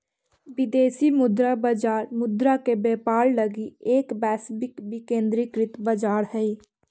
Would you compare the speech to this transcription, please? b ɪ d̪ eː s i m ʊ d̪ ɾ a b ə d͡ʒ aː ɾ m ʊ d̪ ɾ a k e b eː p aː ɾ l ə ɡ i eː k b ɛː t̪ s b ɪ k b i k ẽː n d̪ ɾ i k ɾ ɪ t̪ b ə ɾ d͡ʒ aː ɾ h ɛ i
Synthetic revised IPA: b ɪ d̪ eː s i m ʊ d̪ ɾ a b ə d͡ʒ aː ɾ m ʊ d̪ ɾ a k e b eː p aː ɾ l ə ɡ i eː k b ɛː s b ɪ k b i k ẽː n d̪ ɾ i k ɾ ɪ t̪ b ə d͡ʒ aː ɾ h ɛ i